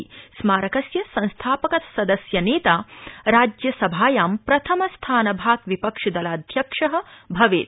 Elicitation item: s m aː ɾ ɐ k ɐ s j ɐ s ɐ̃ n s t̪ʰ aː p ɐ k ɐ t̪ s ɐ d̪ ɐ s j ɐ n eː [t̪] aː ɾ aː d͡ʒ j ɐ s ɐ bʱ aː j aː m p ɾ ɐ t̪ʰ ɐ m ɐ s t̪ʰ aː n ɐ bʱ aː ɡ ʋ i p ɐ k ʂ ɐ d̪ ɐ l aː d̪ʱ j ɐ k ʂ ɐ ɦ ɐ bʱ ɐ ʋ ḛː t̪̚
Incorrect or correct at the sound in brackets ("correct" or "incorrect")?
correct